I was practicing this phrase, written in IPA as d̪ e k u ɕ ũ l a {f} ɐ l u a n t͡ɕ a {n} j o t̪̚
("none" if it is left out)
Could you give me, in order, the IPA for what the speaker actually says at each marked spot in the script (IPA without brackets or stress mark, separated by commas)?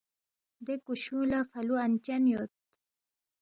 f, n